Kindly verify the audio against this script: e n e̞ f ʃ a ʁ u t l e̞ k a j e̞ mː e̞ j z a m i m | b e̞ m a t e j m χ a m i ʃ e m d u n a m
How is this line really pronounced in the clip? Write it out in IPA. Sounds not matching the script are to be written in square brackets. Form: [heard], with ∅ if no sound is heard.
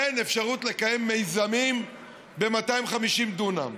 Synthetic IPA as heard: e n e̞ f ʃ a ʁ u t l e̞ k a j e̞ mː e̞ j z a m i m | b e̞ m a t [a] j m χ a m i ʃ [i] m d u n a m

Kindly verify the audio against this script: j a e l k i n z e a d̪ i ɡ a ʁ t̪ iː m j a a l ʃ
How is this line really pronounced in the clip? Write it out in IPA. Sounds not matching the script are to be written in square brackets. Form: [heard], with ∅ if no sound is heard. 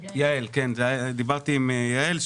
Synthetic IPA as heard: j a e l k [e] n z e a d̪ i [b] a ʁ t̪ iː m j a [e] l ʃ

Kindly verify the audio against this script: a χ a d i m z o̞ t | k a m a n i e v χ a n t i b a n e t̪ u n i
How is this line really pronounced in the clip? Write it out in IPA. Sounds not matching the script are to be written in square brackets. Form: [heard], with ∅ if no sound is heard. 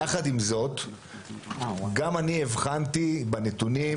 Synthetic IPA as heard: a χ a d i m z o̞ t | [ɡ] a m a n i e v χ a n t i b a n e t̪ u n i

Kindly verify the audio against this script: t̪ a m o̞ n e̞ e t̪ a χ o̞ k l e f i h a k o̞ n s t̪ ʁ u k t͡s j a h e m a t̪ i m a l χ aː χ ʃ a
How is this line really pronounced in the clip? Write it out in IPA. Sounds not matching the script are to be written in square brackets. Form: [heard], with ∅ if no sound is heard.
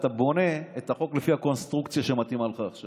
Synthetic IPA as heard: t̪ a [b] o̞ n e̞ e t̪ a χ o̞ k l e f i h a k o̞ n s t̪ ʁ u k t͡s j a [ʃ] e m a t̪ i m a l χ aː χ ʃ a

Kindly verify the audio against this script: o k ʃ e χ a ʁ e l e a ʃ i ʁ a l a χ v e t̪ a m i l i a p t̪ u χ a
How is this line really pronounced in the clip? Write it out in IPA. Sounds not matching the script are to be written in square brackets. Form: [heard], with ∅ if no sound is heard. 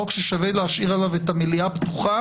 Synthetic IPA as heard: o k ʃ e [ʃ] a [v] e l e a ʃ i ʁ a l a [∅] v e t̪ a m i l i a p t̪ u χ a

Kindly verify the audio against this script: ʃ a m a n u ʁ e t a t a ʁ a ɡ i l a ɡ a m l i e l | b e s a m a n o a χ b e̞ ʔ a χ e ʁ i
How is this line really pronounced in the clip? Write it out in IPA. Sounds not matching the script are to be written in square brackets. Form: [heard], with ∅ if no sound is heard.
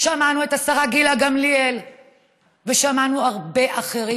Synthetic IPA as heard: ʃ a m a n u [∅] e t a [s] a ʁ a ɡ i l a ɡ a m l i e l | [v] e [ʃ] a m a n [u] a [ʁ] b e̞ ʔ a χ e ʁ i

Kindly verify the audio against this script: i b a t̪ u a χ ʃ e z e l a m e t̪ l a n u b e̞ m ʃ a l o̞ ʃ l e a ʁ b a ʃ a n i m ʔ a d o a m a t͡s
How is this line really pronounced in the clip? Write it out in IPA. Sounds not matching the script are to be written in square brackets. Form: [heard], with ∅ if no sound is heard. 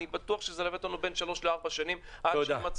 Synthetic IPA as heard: i b a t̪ u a χ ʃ e z e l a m e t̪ l a n u b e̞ [n] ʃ a l o̞ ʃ l e a ʁ b a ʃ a n i m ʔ a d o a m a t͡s

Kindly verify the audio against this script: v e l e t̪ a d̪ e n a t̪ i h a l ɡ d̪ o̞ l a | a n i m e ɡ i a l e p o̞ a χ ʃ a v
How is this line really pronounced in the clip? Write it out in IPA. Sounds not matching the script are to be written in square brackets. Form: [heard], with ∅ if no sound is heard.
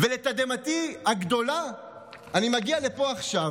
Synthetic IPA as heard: v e l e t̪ a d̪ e [m] a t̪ i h a [∅] ɡ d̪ o̞ l a | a n i m [a] ɡ i a l e p o̞ a χ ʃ a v

